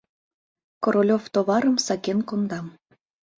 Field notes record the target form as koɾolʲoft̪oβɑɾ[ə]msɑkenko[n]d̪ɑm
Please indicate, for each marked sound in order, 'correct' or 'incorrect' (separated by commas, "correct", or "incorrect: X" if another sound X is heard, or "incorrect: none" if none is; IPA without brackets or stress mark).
correct, correct